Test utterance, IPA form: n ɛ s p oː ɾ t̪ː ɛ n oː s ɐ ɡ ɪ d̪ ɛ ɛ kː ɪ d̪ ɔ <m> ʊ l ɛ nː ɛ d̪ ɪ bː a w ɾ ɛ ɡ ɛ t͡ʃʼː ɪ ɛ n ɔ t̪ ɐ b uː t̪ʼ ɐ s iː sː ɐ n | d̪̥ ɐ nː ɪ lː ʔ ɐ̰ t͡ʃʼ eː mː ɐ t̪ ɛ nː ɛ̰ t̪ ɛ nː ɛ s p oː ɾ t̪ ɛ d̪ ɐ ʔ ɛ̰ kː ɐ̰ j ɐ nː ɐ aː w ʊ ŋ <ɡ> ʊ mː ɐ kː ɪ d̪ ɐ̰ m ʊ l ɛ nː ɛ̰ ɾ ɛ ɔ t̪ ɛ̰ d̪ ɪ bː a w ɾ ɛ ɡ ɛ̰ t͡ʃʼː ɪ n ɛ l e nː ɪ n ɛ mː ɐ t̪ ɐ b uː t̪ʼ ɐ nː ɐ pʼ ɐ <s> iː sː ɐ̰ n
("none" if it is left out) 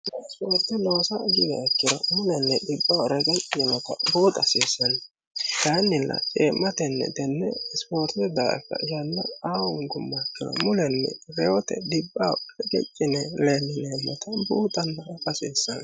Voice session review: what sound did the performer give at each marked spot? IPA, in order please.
m, ɡ, s

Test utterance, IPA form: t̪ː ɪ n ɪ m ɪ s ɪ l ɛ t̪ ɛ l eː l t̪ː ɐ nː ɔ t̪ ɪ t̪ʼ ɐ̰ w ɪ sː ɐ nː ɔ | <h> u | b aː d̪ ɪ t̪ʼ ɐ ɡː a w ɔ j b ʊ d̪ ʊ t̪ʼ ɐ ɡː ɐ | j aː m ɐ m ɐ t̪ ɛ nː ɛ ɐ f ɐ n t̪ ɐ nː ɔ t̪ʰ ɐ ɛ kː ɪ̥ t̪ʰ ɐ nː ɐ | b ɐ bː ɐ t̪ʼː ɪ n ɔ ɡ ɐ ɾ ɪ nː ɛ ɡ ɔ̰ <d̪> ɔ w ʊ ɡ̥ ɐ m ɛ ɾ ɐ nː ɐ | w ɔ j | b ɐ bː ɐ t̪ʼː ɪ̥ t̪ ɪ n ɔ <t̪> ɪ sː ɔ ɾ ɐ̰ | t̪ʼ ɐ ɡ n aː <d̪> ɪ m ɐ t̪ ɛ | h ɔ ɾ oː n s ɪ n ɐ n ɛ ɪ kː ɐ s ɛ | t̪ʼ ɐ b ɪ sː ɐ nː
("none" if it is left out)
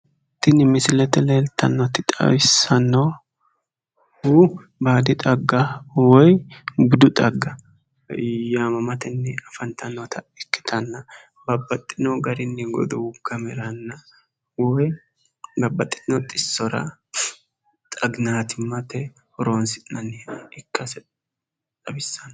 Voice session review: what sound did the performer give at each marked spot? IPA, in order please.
h, d̪, t̪ʼ, t̪

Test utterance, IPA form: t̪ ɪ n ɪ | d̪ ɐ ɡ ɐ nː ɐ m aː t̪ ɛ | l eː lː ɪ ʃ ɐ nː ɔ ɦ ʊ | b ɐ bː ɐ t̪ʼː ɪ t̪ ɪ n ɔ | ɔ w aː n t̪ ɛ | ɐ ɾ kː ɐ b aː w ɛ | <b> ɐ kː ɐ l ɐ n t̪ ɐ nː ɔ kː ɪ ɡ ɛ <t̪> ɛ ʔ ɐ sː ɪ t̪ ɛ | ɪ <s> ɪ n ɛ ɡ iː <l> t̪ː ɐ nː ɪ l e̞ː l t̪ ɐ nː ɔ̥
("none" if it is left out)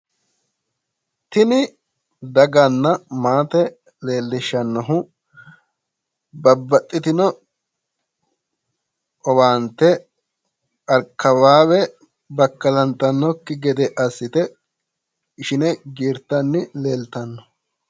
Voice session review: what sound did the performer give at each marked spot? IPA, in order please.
b, d̪, ʃ, ɾ

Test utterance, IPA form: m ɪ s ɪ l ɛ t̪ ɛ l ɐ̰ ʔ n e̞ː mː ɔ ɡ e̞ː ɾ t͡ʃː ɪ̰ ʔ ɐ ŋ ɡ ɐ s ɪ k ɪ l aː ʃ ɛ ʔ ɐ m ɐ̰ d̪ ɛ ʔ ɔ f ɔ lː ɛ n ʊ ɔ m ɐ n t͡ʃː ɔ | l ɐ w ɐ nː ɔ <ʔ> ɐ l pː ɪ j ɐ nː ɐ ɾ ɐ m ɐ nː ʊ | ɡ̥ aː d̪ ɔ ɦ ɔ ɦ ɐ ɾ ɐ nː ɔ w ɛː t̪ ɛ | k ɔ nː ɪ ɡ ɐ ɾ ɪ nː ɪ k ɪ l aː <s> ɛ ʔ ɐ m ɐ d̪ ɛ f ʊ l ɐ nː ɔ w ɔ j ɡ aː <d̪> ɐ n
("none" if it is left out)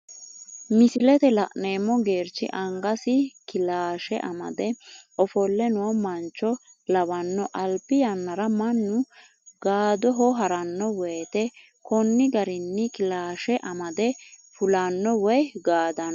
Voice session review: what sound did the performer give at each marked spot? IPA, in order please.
ʔ, ʃ, d̪

